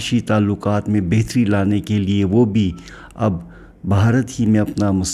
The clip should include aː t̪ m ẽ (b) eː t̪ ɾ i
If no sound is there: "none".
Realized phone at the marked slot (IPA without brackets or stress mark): b